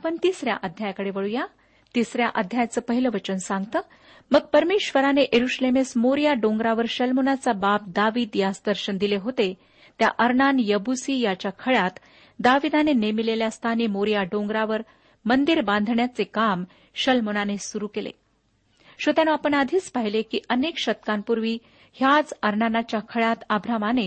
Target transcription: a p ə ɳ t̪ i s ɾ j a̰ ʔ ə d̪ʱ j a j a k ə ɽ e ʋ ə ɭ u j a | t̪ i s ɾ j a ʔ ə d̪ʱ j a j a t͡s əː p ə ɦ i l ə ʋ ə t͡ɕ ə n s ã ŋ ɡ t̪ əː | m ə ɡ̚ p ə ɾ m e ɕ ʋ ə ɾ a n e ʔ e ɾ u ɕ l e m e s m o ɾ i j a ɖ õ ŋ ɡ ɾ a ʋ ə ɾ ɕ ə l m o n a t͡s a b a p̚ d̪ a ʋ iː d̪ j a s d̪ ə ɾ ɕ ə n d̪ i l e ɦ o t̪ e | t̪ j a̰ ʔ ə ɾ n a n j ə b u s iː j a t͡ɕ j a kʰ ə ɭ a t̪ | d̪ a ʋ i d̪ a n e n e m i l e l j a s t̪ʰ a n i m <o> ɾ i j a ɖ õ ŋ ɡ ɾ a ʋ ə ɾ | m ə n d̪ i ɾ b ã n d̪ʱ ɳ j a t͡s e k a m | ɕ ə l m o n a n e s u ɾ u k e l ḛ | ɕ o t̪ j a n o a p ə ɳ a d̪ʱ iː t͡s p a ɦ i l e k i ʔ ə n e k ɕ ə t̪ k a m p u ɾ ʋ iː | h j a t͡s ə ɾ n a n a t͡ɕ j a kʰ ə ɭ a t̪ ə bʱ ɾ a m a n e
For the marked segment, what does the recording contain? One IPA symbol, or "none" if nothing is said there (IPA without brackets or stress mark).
o